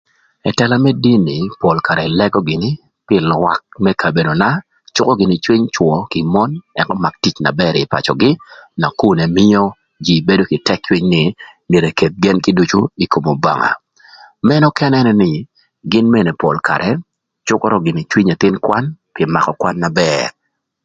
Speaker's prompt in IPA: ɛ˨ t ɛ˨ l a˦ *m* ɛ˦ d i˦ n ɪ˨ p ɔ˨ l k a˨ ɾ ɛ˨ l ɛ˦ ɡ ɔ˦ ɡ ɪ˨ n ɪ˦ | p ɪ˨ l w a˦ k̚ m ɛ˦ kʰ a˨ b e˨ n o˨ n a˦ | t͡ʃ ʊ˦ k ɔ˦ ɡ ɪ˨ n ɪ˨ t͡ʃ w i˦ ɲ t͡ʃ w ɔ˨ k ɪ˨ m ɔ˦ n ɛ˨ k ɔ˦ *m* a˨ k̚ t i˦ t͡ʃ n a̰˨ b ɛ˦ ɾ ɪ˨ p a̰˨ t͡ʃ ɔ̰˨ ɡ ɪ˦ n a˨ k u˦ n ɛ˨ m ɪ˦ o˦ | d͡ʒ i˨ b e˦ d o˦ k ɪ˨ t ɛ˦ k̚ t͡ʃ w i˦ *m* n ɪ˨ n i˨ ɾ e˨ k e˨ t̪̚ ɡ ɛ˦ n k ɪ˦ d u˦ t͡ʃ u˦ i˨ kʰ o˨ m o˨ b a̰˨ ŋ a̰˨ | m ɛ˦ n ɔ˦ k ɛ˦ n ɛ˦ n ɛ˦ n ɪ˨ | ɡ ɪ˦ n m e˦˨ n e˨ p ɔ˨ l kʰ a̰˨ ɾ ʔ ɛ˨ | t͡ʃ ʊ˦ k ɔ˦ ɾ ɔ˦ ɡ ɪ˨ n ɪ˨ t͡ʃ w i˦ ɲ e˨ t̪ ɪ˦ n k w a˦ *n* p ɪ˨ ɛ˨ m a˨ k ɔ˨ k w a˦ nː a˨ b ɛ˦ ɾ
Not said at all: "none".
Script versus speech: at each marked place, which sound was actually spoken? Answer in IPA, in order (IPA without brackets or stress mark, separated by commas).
m, m, ɲ, n